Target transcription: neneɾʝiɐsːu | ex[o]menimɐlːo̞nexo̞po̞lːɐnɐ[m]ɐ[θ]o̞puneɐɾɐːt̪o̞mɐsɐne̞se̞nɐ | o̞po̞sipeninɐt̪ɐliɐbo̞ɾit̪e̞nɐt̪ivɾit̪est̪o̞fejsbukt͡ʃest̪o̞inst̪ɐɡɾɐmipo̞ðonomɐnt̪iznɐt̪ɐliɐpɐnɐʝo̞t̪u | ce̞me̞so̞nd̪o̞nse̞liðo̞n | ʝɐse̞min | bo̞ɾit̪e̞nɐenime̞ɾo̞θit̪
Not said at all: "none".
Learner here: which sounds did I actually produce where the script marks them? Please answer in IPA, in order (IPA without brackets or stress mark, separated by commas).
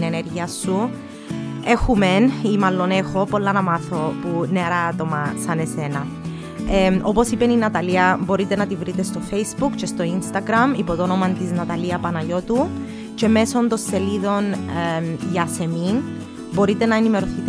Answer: u, m, θ